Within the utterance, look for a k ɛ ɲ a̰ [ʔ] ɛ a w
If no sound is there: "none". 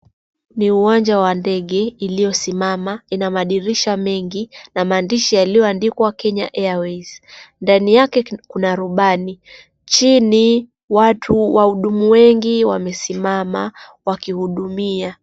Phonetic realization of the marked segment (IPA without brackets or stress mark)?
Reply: ʔ